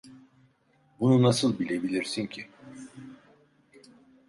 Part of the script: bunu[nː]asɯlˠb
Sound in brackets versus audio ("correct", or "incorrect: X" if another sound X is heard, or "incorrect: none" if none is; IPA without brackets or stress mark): incorrect: n